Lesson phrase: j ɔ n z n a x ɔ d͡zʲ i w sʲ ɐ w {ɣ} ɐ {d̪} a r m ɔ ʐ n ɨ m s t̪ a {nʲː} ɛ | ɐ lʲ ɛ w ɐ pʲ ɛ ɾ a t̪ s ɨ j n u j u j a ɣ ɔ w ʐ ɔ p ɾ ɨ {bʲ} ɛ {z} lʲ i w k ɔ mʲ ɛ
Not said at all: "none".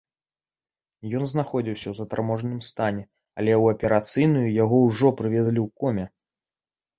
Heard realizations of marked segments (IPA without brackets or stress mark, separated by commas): z, t̪, nʲ, vʲ, z